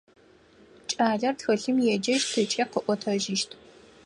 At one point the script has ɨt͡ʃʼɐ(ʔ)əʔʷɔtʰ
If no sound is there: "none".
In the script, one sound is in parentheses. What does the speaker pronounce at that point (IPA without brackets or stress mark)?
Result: q